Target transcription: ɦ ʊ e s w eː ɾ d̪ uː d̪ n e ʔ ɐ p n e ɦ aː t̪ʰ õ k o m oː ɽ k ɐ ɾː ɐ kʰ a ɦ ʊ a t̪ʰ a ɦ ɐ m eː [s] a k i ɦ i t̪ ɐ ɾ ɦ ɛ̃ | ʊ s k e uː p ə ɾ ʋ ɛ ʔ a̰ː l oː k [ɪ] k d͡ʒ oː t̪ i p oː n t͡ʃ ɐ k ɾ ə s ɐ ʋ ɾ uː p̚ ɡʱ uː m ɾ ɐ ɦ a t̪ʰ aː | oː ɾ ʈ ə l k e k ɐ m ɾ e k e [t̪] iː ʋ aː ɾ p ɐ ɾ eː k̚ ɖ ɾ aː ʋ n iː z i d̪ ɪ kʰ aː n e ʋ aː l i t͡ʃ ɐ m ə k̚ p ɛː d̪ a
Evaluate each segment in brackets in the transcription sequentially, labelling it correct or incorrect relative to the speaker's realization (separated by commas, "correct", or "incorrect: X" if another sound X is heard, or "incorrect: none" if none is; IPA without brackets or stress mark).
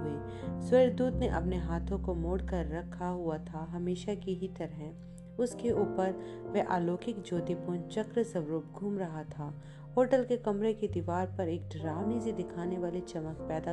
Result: incorrect: ʃ, correct, incorrect: d̪